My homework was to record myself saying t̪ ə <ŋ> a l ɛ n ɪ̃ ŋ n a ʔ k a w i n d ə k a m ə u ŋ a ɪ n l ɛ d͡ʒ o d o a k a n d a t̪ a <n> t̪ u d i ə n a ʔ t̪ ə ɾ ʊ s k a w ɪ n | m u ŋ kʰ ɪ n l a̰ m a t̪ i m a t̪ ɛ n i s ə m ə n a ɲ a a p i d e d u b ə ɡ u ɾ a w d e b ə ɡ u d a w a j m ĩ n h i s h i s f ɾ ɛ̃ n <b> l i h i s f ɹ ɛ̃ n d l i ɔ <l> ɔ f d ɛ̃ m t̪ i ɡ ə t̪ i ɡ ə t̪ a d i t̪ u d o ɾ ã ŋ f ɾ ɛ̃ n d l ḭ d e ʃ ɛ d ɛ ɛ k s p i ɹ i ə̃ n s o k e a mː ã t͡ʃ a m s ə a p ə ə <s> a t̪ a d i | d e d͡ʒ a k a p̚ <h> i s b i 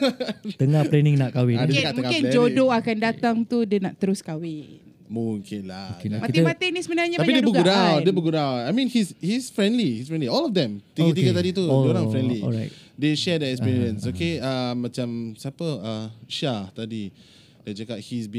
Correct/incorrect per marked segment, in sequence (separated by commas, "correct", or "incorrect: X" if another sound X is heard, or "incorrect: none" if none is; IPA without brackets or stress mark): correct, incorrect: ŋ, incorrect: d, correct, incorrect: ʃ, correct